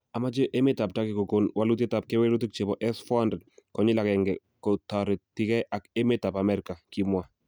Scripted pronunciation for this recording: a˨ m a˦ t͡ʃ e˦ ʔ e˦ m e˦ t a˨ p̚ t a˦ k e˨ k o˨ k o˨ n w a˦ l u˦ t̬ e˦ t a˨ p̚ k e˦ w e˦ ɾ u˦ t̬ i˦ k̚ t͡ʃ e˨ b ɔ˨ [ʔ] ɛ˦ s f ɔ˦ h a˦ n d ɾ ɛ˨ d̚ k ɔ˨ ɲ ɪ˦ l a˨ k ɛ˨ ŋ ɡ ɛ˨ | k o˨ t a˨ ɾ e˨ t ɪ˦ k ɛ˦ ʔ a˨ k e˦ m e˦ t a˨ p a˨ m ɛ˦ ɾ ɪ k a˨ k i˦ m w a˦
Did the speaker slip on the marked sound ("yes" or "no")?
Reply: no